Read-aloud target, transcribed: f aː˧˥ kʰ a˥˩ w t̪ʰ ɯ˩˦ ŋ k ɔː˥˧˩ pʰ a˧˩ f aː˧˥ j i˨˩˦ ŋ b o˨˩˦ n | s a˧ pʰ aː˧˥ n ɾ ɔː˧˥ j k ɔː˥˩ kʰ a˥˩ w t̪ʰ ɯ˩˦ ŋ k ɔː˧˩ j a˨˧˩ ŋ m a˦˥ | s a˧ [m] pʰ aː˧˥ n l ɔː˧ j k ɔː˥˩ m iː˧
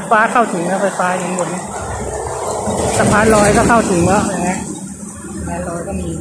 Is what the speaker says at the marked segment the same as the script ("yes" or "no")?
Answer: no